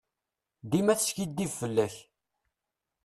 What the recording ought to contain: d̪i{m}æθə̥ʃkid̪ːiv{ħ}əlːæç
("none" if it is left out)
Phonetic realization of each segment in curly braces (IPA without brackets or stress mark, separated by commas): m, f